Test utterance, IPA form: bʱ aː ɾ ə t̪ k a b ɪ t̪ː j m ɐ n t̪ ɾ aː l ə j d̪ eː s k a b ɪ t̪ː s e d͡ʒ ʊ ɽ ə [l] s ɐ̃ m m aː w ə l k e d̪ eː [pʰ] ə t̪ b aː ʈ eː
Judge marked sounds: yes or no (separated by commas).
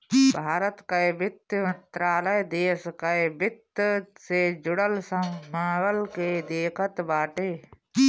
yes, no